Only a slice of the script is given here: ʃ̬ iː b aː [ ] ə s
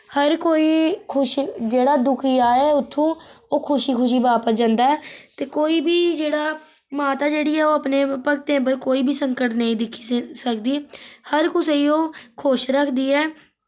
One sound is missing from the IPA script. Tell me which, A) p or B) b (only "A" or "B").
A